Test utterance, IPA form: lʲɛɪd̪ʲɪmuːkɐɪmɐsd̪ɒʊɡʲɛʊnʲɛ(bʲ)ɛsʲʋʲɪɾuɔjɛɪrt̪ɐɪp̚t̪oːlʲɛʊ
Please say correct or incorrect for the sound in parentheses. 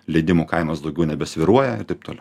correct